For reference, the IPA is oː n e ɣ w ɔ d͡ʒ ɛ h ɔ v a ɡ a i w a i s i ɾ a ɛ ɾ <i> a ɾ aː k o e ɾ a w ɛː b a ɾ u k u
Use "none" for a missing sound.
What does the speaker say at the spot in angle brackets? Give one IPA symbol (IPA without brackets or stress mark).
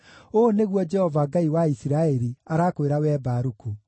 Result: i